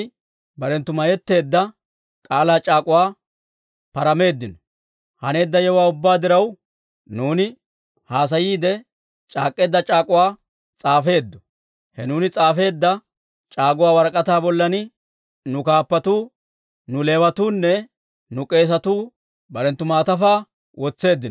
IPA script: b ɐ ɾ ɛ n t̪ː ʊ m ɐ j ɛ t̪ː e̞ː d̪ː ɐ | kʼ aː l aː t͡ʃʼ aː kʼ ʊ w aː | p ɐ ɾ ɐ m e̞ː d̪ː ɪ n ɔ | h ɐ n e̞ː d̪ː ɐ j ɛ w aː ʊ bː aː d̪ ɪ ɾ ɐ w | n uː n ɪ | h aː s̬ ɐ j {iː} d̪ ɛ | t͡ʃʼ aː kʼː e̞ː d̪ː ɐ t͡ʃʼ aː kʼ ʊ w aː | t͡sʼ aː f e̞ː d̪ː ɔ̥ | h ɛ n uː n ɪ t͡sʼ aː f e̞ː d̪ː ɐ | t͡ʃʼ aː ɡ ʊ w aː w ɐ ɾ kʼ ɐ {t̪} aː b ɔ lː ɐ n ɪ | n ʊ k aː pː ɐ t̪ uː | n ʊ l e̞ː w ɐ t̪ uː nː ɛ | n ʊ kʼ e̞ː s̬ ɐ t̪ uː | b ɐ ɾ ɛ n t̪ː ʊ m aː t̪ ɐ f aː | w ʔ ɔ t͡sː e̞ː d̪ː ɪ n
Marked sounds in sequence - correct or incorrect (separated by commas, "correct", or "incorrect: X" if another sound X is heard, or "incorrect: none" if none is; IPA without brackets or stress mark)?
correct, correct